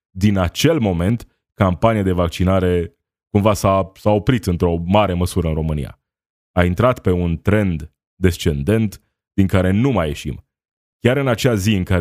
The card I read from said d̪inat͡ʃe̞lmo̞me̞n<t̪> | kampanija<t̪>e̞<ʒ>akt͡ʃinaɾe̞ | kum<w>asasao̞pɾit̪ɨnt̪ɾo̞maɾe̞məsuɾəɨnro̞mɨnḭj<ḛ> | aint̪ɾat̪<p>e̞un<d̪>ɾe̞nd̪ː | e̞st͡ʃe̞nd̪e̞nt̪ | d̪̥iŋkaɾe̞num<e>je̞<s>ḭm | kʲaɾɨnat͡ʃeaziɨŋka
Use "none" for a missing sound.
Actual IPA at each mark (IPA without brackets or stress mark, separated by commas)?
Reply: t̪, d̪, v, v, a̰, p, t̪, a, ʃ